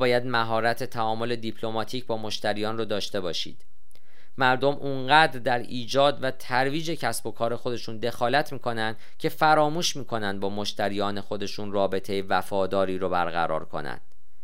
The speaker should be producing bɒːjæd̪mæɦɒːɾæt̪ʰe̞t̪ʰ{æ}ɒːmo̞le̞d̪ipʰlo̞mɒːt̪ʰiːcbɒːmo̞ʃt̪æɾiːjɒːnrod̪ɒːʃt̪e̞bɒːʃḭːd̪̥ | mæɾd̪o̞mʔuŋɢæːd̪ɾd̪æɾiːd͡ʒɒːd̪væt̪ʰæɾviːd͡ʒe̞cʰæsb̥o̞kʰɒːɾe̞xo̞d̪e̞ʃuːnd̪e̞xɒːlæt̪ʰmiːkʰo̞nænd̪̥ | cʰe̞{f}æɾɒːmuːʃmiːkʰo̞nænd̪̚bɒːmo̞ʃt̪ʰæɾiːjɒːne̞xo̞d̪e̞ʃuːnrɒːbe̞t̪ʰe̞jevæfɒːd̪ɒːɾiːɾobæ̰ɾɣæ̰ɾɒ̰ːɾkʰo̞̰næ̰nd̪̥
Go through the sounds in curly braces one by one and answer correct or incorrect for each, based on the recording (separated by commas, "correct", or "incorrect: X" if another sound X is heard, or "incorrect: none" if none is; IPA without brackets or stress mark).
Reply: correct, correct